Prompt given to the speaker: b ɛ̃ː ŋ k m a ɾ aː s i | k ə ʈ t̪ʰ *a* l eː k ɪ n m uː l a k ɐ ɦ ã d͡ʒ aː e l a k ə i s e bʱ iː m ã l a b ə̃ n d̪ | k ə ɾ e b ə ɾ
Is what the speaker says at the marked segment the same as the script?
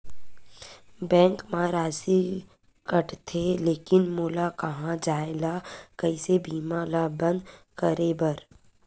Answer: no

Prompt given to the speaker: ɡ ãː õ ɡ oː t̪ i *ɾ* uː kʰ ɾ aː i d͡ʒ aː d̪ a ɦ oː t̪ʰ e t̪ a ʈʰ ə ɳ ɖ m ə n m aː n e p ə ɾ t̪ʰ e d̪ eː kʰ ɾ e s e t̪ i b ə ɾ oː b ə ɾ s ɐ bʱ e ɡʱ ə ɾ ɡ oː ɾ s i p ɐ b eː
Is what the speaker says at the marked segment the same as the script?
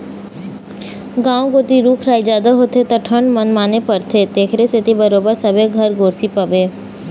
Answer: yes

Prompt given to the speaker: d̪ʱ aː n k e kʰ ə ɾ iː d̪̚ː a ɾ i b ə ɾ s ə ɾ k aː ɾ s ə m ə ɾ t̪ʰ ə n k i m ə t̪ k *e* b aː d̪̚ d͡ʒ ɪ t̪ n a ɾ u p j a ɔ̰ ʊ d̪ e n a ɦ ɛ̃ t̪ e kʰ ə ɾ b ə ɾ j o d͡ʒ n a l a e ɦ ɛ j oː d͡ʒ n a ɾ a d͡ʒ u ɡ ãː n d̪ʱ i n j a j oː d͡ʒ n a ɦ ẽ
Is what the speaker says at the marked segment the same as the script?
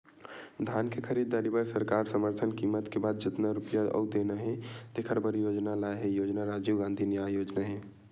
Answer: yes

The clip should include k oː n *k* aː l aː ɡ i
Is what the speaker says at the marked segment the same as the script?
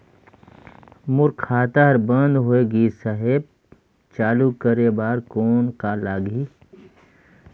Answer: yes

